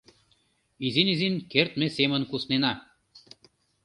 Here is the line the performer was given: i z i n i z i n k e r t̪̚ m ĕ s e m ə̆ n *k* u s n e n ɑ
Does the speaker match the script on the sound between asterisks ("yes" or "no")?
yes